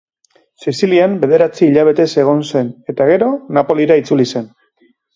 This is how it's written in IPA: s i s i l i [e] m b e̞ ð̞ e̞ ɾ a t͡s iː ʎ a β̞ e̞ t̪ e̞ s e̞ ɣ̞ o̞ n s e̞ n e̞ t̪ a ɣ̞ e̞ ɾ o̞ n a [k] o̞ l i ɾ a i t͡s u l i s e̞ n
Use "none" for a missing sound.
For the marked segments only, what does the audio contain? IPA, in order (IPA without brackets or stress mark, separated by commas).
a, p